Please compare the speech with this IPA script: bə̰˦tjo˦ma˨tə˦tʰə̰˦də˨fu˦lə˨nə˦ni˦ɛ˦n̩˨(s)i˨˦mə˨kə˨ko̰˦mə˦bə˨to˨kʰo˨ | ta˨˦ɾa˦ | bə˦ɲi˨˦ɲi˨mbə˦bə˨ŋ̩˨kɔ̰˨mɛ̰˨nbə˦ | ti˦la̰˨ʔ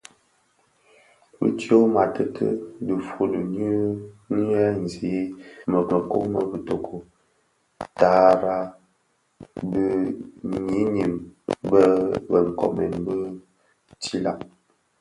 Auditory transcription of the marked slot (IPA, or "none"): z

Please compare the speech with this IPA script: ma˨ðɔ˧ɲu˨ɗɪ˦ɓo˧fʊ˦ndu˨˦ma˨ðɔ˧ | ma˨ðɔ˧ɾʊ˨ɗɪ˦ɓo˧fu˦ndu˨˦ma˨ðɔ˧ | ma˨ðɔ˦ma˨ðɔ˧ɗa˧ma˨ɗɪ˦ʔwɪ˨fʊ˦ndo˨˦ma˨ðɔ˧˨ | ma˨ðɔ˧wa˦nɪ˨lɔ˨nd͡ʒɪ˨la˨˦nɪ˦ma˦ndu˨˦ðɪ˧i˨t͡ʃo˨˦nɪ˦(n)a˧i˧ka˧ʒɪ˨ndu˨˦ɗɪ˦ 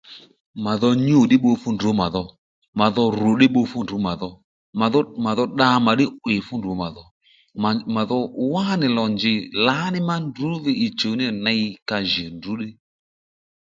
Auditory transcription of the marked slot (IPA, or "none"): n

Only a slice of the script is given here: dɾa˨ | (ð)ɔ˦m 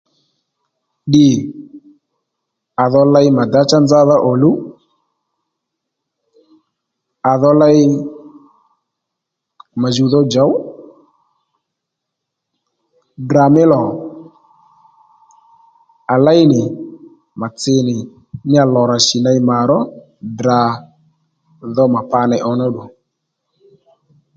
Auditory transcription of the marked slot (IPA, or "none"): ð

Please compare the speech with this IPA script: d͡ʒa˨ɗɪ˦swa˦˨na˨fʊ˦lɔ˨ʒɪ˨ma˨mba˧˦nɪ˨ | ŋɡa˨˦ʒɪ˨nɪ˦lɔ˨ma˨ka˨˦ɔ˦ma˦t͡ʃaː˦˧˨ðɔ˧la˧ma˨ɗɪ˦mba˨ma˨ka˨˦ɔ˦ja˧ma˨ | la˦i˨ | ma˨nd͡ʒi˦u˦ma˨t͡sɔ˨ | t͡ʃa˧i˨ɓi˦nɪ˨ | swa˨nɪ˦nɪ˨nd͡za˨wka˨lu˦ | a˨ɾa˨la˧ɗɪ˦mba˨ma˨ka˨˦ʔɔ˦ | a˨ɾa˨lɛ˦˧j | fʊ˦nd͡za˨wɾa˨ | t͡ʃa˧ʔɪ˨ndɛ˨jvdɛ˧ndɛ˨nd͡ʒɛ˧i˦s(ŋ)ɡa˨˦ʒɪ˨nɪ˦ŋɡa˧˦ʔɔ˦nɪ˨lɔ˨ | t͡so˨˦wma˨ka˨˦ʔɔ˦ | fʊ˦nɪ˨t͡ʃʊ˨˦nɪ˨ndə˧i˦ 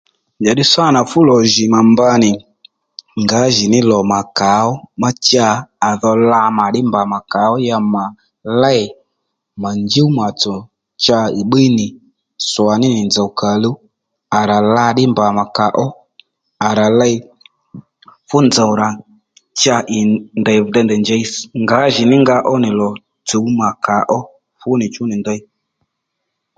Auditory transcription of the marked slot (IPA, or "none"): ŋ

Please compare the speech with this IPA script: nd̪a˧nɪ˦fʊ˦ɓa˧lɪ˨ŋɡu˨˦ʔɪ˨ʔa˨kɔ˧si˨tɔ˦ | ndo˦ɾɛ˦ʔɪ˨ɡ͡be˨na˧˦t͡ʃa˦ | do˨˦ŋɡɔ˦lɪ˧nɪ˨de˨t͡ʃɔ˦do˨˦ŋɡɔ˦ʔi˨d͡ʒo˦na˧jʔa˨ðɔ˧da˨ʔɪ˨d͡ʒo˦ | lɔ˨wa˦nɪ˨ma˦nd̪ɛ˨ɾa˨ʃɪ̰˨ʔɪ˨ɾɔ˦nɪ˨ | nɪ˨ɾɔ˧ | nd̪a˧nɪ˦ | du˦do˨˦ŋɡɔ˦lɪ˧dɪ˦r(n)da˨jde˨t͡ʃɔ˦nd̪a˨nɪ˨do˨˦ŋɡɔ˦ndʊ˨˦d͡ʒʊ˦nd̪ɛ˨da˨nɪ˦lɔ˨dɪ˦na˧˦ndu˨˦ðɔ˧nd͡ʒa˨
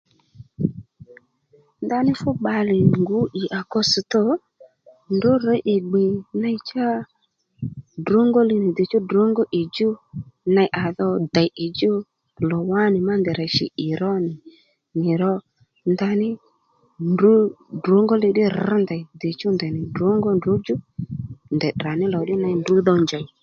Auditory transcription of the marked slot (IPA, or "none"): n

